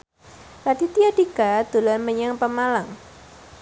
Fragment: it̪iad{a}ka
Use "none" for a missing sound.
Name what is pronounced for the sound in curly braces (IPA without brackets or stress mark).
i